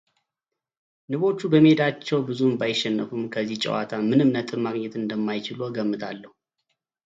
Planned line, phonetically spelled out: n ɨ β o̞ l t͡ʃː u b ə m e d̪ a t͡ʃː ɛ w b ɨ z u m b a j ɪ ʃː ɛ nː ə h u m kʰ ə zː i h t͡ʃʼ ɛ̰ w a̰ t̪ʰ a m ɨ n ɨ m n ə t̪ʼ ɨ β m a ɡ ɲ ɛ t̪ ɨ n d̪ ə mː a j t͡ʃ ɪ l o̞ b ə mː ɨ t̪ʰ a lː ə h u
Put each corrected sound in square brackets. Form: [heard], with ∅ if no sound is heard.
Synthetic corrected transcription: n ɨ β o̞ [∅] t͡ʃː u b ə m e d̪ a t͡ʃː ɛ w b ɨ z u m b a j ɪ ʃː ɛ nː ə [f] u m kʰ ə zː i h t͡ʃʼ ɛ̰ w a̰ t̪ʰ a m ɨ n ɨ m n ə t̪ʼ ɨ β m a ɡ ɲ ɛ t̪ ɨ n d̪ ə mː a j t͡ʃ ɪ l o̞ [ɡ] ə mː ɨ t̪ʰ a lː ə h u